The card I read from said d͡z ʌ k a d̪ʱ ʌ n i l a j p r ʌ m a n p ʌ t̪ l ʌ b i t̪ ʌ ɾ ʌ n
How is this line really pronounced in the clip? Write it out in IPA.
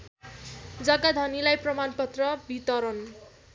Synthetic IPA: d͡z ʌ ɡ a d̪ʱ ʌ n i l a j p r ʌ m a n p ʌ t̪ r ʌ b i t̪ ʌ ɾ ʌ n